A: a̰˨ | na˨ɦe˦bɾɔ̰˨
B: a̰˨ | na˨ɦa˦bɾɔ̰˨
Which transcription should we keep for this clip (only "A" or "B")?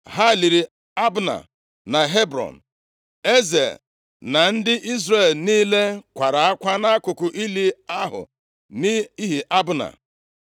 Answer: A